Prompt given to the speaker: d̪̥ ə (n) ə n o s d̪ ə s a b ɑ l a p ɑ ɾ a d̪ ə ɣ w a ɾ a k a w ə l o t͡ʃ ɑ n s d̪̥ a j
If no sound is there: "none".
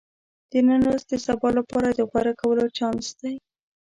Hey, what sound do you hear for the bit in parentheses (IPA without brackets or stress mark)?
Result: n